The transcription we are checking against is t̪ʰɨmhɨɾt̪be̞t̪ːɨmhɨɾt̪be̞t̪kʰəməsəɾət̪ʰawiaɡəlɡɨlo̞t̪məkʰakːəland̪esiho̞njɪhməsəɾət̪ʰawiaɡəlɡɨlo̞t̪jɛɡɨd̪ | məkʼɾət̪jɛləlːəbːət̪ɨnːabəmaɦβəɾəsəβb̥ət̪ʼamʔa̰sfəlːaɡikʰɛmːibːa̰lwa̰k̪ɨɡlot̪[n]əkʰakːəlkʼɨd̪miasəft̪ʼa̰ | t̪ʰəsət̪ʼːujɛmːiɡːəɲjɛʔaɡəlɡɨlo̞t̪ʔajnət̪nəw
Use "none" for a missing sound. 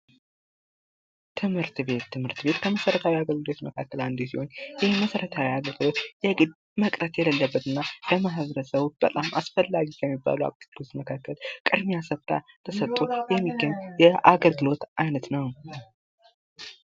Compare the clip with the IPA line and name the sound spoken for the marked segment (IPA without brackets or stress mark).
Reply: m